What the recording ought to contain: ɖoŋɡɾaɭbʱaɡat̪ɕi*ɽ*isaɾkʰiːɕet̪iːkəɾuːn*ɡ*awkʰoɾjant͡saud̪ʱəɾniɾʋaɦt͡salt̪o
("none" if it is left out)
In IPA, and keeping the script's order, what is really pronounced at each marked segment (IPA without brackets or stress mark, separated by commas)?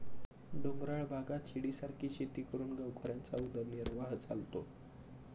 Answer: ɽ, ɡ